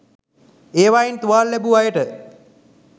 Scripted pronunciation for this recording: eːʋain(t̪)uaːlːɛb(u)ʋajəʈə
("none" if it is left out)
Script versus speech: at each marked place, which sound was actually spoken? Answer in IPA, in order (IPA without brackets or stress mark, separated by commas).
t̪, u